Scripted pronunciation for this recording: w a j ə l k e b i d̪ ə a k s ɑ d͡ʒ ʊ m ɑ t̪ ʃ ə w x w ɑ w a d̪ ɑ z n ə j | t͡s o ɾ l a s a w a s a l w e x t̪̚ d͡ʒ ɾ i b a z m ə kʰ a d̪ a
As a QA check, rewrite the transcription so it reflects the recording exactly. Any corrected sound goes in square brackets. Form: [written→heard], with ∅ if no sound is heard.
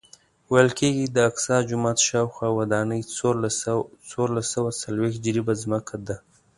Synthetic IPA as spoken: w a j ə l k e [b→ɡ] i d̪ ə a k s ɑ d͡ʒ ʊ m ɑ t̪ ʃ [ə→ɑ] w x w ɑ w a d̪ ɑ [z→∅] n ə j | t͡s o ɾ l a s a w a s a l w e x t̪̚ d͡ʒ ɾ i b a z m ə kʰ a d̪ a